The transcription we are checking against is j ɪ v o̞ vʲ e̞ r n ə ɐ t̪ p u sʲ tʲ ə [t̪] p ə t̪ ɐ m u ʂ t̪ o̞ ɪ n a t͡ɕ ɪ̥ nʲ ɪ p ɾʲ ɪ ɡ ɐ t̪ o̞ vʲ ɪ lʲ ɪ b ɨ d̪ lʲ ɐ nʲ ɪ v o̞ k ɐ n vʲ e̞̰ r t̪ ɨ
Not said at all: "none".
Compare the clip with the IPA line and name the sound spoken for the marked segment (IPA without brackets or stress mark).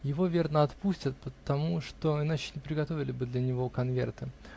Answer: t̪